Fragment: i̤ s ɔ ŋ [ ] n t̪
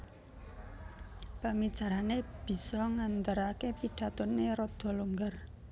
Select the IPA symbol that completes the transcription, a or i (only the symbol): a